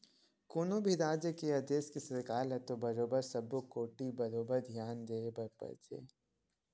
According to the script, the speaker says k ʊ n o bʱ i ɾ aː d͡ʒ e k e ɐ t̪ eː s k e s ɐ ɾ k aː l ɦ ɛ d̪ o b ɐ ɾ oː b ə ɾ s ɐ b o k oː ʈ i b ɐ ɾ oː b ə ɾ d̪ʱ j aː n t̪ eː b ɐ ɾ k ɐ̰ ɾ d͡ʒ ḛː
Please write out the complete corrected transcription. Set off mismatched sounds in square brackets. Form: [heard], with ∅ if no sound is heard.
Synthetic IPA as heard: k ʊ n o bʱ i ɾ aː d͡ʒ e k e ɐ [d̪] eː s k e s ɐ ɾ k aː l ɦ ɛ [t̪] o b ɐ ɾ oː b ə ɾ s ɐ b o k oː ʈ i b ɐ ɾ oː b ə ɾ d̪ʱ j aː n [d̪] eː b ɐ ɾ [p] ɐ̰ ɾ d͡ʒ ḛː

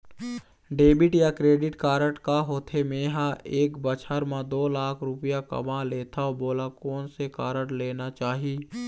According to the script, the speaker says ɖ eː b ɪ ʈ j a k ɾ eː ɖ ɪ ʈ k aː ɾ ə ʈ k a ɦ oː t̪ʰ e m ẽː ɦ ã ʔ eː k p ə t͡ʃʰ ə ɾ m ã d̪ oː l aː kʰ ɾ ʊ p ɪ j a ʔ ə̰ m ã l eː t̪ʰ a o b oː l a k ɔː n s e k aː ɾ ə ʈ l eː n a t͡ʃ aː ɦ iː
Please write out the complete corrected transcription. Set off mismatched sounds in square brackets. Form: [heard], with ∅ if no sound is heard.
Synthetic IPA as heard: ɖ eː b ɪ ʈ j a k ɾ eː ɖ ɪ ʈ k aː ɾ ə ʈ k a ɦ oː t̪ʰ e m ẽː ɦ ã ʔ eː k [b] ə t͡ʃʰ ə ɾ m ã d̪ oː l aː kʰ ɾ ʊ p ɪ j a [k] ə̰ m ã l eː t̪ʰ a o b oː l a k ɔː n s e k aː ɾ ə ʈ l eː n a t͡ʃ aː ɦ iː

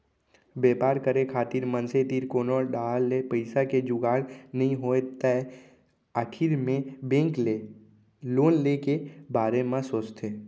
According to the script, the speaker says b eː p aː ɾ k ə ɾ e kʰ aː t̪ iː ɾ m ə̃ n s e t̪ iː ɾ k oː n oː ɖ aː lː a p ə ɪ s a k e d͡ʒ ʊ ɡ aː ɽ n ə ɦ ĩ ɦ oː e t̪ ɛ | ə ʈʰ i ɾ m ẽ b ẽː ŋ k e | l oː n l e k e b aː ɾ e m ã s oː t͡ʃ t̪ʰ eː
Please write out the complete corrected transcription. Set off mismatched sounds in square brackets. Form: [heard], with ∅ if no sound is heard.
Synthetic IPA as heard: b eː p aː ɾ k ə ɾ e kʰ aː t̪ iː ɾ m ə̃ n s e t̪ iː ɾ k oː n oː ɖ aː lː [e] p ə ɪ s a k e d͡ʒ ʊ ɡ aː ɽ n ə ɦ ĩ ɦ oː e t̪ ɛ | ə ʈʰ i ɾ m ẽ b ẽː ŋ k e | l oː n l e k e b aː ɾ e m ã s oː t͡ʃ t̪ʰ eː

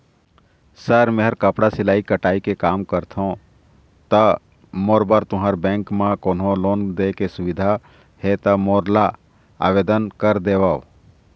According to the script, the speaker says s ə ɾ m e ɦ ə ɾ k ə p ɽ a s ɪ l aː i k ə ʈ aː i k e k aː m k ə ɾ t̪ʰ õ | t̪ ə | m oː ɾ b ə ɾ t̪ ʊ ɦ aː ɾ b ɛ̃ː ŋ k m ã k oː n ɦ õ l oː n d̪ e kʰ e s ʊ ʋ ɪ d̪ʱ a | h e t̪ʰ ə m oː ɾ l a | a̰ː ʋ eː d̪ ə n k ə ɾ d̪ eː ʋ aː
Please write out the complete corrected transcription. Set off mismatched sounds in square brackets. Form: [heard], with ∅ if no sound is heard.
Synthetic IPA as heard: s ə ɾ m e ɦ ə ɾ k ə p ɽ a s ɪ l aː i k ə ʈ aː i k e k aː m k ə ɾ t̪ʰ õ | t̪ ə | m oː ɾ b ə ɾ t̪ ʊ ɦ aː ɾ b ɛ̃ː ŋ k m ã k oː n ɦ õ l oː n d̪ e [k] e s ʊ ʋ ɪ d̪ʱ a | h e [t̪] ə m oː ɾ l a | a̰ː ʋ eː d̪ ə n k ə ɾ d̪ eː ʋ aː

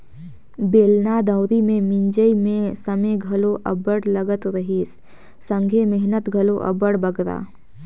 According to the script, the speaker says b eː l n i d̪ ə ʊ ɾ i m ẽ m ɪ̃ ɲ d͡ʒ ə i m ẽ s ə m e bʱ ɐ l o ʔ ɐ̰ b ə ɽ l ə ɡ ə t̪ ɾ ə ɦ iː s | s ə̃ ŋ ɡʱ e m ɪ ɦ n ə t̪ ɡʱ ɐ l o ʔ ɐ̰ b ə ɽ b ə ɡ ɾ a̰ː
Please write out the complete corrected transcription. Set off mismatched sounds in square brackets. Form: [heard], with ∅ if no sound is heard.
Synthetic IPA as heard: b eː l n [a] d̪ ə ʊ ɾ i m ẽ m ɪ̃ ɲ d͡ʒ ə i m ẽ s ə m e [ɡʱ] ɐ l o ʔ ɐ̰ b ə ɽ l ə ɡ ə t̪ ɾ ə ɦ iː s | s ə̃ ŋ ɡʱ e m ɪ ɦ n ə t̪ ɡʱ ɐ l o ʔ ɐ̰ b ə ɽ b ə ɡ ɾ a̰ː

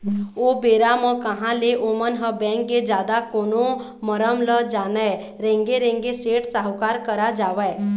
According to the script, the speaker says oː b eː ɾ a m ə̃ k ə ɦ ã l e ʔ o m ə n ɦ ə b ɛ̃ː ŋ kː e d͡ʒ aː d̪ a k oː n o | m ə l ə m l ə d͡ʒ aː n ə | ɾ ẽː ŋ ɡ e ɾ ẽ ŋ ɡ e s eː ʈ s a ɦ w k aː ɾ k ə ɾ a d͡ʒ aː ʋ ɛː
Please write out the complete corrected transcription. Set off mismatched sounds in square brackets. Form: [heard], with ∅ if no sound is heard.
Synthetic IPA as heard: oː b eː ɾ a m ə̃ k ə ɦ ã l e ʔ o m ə n ɦ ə b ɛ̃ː ŋ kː e d͡ʒ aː d̪ a k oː n o | m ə [ɾ] ə m l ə d͡ʒ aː n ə | ɾ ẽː ŋ ɡ e ɾ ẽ ŋ ɡ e s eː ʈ s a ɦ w k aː ɾ k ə ɾ a d͡ʒ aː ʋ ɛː

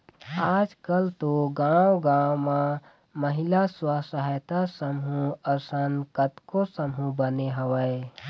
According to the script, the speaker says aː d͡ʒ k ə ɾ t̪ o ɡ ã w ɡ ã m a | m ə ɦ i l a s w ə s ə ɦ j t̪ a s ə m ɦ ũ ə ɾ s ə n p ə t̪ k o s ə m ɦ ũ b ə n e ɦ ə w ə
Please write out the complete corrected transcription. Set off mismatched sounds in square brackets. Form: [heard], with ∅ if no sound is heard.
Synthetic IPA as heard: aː d͡ʒ k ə [l] t̪ o ɡ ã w ɡ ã m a | m ə ɦ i l a s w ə s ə ɦ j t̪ a s ə m ɦ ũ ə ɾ s ə n [k] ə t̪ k o s ə m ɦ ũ b ə n e ɦ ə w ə

